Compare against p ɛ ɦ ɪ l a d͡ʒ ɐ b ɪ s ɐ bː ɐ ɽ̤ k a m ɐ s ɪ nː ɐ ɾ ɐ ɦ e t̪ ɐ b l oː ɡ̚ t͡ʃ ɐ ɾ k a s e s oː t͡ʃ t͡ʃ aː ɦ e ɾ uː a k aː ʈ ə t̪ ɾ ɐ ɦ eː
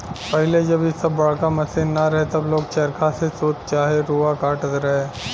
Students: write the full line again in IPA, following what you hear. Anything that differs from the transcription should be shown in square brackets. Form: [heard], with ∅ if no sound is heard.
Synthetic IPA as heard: p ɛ ɦ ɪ l [e] d͡ʒ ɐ b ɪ s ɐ bː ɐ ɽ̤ k a m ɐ s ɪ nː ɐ ɾ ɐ ɦ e t̪ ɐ b l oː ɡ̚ t͡ʃ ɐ ɾ k a s e s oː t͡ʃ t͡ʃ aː ɦ e ɾ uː a k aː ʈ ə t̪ ɾ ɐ ɦ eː